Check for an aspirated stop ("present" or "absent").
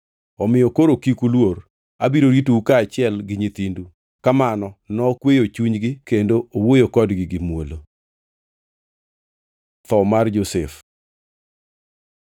absent